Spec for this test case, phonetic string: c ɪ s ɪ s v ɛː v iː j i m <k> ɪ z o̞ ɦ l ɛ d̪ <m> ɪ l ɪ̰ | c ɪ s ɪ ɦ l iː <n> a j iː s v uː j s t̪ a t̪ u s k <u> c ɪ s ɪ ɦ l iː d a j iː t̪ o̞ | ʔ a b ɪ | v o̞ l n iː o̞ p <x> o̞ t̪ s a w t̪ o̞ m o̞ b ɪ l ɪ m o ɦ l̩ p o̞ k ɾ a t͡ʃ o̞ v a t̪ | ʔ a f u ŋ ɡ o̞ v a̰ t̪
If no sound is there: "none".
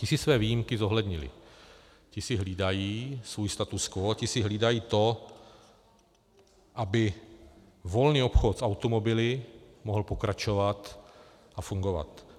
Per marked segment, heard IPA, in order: k, ɲ, d, o, x

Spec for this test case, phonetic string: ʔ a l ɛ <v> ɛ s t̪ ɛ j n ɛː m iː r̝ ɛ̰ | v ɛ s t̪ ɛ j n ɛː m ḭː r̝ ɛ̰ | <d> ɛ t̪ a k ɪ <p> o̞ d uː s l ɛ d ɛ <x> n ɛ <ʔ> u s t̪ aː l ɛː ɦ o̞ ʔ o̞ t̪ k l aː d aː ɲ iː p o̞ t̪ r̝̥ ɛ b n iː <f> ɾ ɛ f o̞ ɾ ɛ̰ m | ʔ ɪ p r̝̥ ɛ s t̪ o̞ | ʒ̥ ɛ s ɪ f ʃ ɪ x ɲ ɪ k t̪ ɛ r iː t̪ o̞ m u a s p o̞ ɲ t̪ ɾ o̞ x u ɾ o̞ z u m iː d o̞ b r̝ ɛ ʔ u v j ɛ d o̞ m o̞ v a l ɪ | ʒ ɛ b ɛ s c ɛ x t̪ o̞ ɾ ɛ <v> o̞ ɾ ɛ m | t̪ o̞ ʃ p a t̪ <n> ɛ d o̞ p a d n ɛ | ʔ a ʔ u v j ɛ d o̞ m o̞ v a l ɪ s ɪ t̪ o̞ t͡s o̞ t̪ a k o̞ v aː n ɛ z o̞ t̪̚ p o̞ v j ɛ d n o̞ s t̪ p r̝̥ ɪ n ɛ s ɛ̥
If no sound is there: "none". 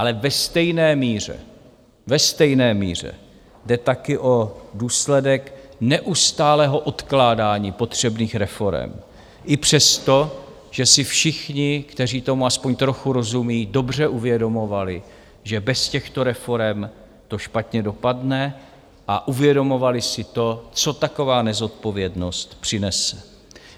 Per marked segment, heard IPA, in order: v, d, ʔ, k, ʔ, x, f, ɲ

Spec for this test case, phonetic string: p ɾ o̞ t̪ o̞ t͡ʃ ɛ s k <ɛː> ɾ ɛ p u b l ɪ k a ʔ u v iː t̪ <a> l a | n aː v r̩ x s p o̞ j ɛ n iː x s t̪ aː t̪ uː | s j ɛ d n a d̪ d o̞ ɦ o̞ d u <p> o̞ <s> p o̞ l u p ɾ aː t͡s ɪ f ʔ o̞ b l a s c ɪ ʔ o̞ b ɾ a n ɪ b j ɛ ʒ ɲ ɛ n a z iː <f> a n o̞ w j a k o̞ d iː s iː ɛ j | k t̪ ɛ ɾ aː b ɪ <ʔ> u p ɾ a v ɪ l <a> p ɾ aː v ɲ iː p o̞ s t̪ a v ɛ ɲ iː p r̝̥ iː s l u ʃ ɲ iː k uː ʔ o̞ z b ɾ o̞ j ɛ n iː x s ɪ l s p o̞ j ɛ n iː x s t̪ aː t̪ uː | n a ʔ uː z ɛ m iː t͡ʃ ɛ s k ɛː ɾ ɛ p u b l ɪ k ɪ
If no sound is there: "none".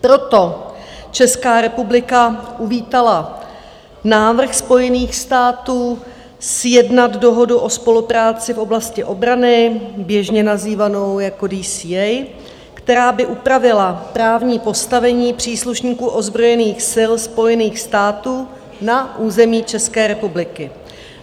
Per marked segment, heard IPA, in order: aː, a, ʔ, s, v, ʔ, a

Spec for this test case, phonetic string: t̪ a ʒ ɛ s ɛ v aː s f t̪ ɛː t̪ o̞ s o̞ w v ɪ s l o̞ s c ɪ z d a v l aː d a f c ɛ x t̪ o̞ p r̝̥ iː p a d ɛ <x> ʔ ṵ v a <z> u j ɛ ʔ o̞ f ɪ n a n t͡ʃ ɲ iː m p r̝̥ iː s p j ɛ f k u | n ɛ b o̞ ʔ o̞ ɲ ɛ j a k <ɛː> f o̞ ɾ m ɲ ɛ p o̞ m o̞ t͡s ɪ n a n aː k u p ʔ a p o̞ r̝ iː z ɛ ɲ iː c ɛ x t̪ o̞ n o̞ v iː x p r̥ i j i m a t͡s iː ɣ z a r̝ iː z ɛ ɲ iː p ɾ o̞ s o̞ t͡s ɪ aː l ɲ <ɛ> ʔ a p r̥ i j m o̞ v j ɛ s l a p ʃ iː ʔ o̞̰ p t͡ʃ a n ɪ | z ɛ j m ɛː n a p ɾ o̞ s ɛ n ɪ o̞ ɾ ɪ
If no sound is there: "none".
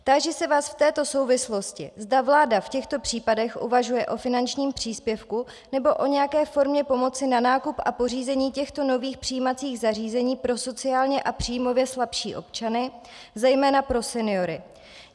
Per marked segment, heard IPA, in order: x, ʒ, ɛː, ɛ

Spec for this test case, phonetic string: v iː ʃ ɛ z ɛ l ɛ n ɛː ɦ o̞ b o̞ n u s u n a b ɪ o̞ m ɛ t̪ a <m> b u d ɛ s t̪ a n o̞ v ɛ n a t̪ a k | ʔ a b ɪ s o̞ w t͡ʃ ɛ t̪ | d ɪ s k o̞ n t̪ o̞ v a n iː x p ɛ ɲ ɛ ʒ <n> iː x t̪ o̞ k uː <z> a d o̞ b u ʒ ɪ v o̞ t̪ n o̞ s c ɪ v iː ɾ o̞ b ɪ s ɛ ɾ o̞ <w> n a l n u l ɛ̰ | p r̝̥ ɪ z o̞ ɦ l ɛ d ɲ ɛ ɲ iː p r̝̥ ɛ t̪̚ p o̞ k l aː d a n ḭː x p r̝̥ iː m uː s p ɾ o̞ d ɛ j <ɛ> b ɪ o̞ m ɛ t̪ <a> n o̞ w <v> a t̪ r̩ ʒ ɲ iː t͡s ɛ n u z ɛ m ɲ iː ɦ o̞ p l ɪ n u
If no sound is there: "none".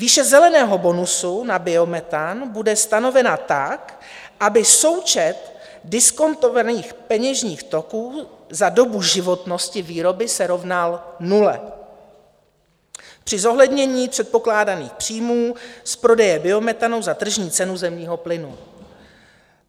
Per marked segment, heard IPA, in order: n, ɲ, z, v, ɛ, a, z

